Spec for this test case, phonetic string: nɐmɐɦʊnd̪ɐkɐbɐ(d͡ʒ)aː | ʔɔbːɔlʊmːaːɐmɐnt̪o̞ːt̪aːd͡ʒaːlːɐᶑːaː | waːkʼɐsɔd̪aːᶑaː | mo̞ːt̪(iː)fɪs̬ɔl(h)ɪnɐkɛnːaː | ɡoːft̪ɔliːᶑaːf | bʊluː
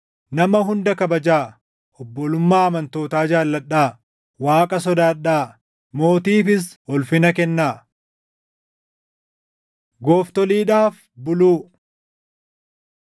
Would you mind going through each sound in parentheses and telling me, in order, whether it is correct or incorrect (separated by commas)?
correct, correct, incorrect